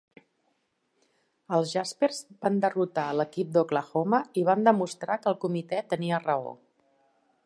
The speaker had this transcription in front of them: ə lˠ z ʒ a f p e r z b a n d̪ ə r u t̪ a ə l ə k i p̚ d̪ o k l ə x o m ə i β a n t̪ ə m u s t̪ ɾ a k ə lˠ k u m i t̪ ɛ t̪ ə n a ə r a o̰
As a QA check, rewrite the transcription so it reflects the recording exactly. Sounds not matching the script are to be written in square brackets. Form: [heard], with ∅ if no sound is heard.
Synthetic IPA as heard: ə lˠ z ʒ a [s] p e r z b a n d̪ ə r u t̪ a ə l ə k i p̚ d̪ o k l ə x o m ə i β a n [d̪] ə m u s t̪ ɾ a k ə lˠ k u m i t̪ ɛ t̪ ə n [i] ə r [ə] o̰

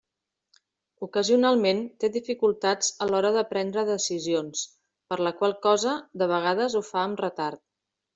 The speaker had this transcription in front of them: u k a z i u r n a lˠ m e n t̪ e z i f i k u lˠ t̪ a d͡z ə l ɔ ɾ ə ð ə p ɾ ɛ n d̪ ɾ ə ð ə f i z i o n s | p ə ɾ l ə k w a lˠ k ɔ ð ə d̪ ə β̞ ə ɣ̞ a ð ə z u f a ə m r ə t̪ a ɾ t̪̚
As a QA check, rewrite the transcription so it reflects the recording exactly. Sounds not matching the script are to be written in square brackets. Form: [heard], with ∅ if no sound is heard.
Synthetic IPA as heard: u k [ə] z i u [∅] n a lˠ m e n t̪ e [ð] i f i k u lˠ t̪ a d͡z ə l ɔ ɾ ə ð ə p ɾ ɛ n d̪ ɾ ə ð ə [s] i z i o n s | p ə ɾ l ə k w a lˠ k ɔ [z] ə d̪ ə β̞ ə ɣ̞ a ð ə z u f a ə m r ə t̪ a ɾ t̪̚

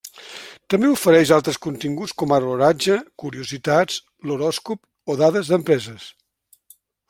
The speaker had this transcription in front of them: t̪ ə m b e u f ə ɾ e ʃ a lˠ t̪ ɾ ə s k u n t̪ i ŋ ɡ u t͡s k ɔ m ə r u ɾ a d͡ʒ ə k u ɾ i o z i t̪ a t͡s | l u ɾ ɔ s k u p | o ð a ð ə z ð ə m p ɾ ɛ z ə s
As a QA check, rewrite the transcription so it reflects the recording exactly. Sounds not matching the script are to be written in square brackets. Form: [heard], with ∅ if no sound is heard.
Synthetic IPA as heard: t̪ ə m b e u f ə ɾ [ɛ] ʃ a lˠ t̪ ɾ ə s k u n t̪ i ŋ ɡ u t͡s k ɔ m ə r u ɾ a d͡ʒ ə k u ɾ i [u] z i t̪ a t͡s | l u ɾ ɔ s k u p | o ð a ð ə z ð ə m p ɾ ɛ z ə s

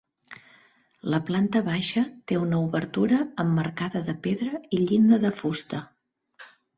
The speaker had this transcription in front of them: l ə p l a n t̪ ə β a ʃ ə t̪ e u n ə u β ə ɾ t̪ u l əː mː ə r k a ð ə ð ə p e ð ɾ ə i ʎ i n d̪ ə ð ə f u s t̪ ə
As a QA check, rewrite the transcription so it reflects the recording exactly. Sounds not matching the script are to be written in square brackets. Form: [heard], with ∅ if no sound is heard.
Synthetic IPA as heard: l ə p l a n t̪ ə β a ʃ ə t̪ e u n ə u β ə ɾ t̪ u [ɾ] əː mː ə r k a ð ə ð ə p e ð ɾ ə i ʎ i n d̪ ə ð ə f u s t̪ ə

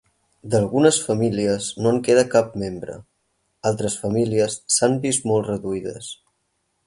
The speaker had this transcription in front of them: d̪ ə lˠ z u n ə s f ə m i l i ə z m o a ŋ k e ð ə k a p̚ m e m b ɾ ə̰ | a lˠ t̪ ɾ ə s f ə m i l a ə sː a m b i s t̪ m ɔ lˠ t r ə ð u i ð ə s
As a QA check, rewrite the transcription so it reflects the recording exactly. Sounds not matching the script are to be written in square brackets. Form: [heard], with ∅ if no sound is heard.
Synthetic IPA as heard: d̪ ə lˠ [ɣ] u n ə s f ə m i l i ə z [n] o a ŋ k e ð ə k a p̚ m e m b ɾ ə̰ | a lˠ t̪ ɾ ə s f ə m i l [i] ə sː a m b i s t̪ m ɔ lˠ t r ə ð u i ð ə s

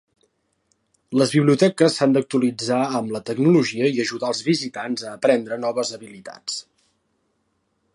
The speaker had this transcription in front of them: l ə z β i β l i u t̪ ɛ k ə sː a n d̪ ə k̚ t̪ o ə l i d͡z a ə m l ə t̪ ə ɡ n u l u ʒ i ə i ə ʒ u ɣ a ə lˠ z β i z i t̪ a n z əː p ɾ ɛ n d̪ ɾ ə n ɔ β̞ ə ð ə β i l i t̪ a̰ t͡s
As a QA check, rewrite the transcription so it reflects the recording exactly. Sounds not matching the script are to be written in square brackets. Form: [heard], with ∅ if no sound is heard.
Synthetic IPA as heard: l ə z β i β l i u t̪ ɛ k ə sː a n d̪ ə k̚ t̪ [u] ə l i d͡z a ə m l ə t̪ ə ɡ n u l u ʒ i ə i ə ʒ u [ð] a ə lˠ z β i z i t̪ a n z əː p ɾ ɛ n d̪ ɾ ə n ɔ β̞ ə [z] ə β i l i t̪ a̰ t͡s

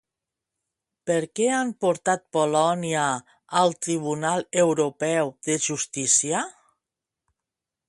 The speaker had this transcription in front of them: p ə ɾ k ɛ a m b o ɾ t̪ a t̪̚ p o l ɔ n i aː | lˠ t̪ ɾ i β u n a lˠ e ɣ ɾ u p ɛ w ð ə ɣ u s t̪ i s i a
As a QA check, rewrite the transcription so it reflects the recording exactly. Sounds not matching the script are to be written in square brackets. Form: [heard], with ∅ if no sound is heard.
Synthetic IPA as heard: p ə ɾ k ɛ a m [p] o ɾ t̪ a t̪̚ p o l ɔ n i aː | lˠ t̪ ɾ i β u n a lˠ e [w] ɾ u p ɛ w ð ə [ʒ] u s t̪ i s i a

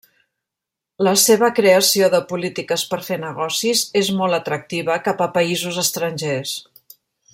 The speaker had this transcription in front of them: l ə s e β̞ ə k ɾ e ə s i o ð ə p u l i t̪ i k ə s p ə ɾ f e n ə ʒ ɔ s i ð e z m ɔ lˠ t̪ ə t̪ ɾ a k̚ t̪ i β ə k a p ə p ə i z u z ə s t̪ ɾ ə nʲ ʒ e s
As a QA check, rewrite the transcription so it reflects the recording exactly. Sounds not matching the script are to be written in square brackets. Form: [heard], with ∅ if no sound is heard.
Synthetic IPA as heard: l ə s e β̞ ə k ɾ e ə s i o ð ə p u l i t̪ i k ə s p ə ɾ f e n ə [ɣ] ɔ s i [z] e z m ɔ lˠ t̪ ə t̪ ɾ [ə] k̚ t̪ i β ə k a p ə p ə i z u z ə s t̪ ɾ ə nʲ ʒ e s

